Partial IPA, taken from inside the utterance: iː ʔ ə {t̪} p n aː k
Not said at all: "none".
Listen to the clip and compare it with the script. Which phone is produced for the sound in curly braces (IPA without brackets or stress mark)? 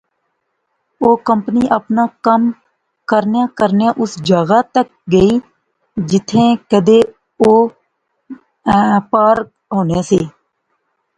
none